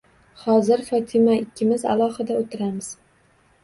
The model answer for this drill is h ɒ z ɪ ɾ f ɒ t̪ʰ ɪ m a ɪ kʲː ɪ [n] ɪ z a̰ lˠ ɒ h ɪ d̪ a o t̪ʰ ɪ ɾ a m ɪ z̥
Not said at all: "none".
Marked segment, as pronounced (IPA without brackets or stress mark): m